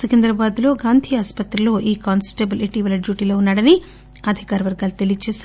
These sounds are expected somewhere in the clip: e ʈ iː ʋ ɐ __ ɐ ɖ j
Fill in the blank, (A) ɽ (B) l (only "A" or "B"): B